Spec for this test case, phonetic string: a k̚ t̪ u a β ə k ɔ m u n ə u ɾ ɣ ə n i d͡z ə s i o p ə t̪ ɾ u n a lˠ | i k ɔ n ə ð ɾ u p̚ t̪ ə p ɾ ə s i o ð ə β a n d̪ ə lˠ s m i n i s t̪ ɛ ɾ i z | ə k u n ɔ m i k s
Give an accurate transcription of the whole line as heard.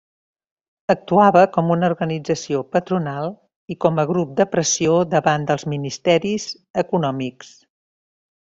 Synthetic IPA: ə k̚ t̪ u a β ə k ɔ m u n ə u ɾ ɣ ə n i d͡z ə s i o p ə t̪ ɾ u n a lˠ | i k ɔ m ə ɣ ɾ u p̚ d̪ ə p ɾ ə s i o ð ə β a n d̪ ə lˠ z m i n i s t̪ ɛ ɾ i z | ə k u n ɔ m i k s